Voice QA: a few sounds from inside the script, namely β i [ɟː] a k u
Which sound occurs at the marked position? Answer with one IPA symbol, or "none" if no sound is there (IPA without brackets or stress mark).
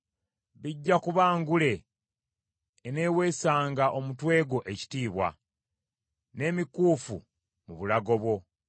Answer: ɟː